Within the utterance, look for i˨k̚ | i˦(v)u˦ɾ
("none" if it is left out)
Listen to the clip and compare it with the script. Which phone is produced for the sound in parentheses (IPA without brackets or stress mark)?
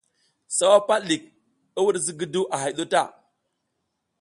w